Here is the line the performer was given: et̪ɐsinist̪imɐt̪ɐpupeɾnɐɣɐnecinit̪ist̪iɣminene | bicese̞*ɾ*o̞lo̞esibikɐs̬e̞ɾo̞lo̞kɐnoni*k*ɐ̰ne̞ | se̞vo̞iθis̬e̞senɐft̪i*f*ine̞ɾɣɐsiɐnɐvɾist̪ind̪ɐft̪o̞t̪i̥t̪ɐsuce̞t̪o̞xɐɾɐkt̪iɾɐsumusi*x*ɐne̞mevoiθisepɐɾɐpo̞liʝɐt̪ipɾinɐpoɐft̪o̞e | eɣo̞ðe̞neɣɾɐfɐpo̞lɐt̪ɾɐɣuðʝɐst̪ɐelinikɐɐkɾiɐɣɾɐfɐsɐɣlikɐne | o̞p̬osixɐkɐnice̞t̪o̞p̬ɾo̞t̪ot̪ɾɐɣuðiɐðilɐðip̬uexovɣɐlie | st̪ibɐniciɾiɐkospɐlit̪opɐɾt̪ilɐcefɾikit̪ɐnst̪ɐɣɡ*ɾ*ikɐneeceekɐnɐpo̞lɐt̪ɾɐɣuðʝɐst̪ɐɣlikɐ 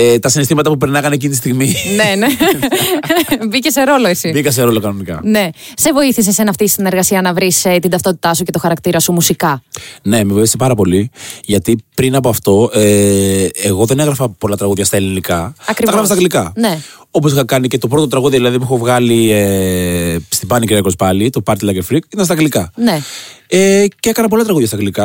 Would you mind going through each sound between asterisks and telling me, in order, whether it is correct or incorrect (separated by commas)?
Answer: correct, correct, incorrect, incorrect, incorrect